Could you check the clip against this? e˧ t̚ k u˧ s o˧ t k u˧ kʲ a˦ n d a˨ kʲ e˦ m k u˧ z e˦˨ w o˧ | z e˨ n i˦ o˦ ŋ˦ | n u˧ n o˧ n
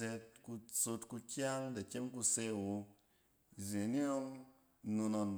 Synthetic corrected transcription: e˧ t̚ k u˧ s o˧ t k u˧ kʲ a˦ ŋ d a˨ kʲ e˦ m k u˧ s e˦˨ w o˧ | z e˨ n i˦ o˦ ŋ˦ | n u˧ n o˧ n